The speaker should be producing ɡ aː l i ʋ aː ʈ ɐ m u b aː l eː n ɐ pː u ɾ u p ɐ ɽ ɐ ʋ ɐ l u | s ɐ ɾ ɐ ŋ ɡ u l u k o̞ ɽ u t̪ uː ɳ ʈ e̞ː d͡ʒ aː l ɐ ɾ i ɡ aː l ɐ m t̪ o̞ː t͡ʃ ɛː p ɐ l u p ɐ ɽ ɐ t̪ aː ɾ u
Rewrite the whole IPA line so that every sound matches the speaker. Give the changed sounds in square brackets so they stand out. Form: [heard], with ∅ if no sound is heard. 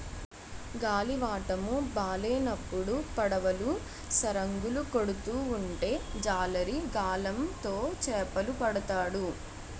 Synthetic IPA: ɡ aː l i ʋ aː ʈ ɐ m u b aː l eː n ɐ pː u [ɽ] u p ɐ ɽ ɐ ʋ ɐ l u | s ɐ ɾ ɐ ŋ ɡ u l u k o̞ ɽ u t̪ uː ɳ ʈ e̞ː d͡ʒ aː l ɐ ɾ i ɡ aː l ɐ m t̪ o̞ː t͡ʃ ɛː p ɐ l u p ɐ ɽ ɐ t̪ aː [ɽ] u